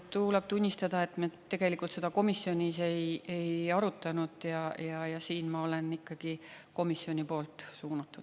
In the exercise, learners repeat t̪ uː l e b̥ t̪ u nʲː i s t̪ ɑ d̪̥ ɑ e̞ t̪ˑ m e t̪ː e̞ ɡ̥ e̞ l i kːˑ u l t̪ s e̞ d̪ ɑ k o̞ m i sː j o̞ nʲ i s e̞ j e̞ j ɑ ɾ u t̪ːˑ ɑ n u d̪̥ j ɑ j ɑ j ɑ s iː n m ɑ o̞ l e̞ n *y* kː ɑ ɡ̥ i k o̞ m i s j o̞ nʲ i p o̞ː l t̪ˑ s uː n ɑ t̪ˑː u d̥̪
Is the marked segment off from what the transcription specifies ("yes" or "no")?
yes